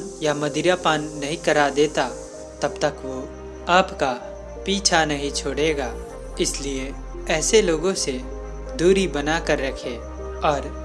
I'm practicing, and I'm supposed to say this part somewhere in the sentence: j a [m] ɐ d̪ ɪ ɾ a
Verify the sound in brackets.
correct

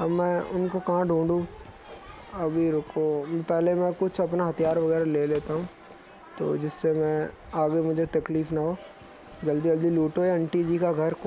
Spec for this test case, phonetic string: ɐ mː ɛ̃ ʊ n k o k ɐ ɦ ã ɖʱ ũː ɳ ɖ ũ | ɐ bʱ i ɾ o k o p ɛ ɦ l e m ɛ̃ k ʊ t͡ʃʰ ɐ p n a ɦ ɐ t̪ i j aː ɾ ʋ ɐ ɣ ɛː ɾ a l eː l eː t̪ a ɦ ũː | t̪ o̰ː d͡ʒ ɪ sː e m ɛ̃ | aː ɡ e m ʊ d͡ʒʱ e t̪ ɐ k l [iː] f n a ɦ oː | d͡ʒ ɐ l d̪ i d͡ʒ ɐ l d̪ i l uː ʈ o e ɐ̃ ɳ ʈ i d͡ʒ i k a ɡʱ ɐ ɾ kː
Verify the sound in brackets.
correct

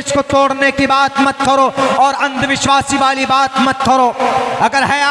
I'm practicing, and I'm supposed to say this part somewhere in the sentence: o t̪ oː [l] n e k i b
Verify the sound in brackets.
incorrect: ɽ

